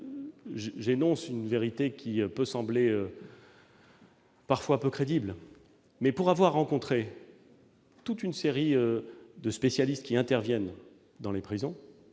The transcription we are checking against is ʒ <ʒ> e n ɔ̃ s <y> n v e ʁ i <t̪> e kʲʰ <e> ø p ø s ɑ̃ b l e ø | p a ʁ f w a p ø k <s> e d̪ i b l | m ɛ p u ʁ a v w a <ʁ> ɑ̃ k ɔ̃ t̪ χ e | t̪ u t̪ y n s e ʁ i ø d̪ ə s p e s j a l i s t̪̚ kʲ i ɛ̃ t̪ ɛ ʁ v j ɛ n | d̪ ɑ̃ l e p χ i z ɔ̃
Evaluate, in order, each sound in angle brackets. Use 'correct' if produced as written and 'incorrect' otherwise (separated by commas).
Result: correct, correct, correct, incorrect, incorrect, incorrect